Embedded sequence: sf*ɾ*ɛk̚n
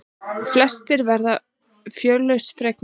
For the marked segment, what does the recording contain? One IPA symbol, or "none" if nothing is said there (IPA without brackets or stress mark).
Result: ɾ